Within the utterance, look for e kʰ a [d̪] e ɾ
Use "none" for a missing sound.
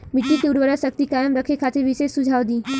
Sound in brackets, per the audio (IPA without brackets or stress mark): t̪